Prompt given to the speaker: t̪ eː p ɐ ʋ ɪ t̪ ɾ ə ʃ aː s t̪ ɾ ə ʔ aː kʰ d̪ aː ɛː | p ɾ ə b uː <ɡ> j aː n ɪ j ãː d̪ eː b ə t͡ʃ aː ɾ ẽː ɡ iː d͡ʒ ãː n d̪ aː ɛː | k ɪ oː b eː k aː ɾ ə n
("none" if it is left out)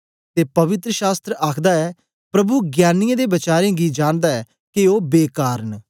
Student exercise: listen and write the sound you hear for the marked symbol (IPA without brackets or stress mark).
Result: ɡ